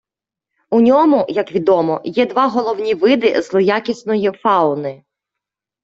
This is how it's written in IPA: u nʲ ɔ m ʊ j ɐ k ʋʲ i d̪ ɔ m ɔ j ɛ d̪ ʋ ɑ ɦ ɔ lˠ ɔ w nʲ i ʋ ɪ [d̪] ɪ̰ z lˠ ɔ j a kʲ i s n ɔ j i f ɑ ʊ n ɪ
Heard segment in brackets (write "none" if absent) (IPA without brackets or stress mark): d̪